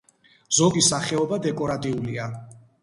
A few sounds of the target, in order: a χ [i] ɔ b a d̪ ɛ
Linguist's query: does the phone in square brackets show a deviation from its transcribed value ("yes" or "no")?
yes